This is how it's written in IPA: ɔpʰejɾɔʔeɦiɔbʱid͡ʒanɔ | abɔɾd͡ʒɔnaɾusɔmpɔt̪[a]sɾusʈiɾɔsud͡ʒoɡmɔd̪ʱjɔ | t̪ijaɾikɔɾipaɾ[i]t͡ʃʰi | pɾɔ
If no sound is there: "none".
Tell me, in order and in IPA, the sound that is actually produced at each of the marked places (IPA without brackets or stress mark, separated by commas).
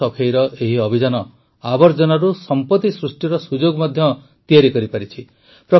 i, i